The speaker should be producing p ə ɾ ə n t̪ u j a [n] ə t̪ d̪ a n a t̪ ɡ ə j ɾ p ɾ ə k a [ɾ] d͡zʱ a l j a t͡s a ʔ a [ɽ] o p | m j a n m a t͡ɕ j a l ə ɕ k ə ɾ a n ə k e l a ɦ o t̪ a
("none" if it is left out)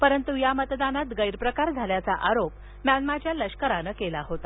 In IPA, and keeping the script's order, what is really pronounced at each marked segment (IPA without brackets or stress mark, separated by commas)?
m, ɾ, ɾ